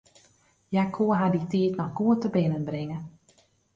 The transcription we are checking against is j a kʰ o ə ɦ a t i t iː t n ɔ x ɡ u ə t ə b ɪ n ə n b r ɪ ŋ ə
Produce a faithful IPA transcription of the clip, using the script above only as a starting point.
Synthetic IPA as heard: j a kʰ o ə ɦ a d i t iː t n ɔ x ɡ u ə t ə b ɪ n ə n b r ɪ ŋ ə